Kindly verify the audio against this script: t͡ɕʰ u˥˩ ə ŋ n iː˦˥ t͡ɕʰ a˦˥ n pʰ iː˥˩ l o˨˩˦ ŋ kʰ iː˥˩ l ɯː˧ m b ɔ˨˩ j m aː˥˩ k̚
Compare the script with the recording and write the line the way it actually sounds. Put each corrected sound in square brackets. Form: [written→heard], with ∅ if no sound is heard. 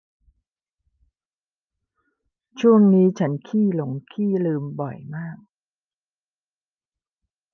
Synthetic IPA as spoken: t͡ɕʰ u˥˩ ə ŋ n iː˦˥ t͡ɕʰ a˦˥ n [pʰ→kʰ] iː˥˩ l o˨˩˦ ŋ kʰ iː˥˩ l ɯː˧ m b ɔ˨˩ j m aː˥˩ k̚